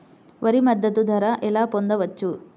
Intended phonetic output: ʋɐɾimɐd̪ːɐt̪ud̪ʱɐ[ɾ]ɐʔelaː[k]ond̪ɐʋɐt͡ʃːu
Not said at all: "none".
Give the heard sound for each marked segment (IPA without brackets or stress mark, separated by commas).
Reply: ɾ, p